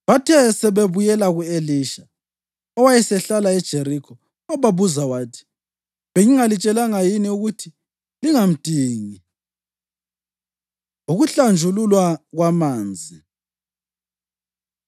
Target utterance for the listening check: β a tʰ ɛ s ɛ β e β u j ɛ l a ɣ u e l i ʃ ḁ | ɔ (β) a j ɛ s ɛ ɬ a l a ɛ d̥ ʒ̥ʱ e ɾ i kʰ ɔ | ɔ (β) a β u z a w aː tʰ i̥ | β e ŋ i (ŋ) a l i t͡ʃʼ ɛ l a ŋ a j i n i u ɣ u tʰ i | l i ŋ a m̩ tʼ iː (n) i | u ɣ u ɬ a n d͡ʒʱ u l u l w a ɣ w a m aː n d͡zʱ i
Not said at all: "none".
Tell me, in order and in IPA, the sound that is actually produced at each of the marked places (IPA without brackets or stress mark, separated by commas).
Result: w, β, ŋ, ŋ